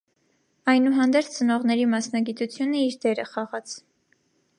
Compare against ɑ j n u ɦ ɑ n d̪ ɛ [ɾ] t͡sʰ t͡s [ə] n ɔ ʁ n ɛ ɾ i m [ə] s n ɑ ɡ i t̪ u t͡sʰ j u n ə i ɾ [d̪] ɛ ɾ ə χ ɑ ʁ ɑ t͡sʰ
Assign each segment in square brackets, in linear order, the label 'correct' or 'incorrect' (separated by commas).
correct, correct, incorrect, correct